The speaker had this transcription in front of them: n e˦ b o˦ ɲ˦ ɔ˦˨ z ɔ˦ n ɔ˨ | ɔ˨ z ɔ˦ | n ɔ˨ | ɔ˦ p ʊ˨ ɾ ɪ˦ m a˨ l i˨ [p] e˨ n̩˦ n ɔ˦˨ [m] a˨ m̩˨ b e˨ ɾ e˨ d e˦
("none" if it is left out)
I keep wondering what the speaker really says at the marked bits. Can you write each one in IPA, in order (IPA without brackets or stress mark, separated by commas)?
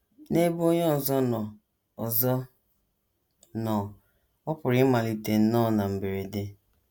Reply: t, n